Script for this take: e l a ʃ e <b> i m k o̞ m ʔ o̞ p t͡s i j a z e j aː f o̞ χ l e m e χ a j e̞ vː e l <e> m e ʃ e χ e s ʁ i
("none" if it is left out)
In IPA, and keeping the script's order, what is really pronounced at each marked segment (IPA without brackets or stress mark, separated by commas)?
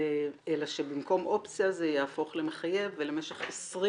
b, e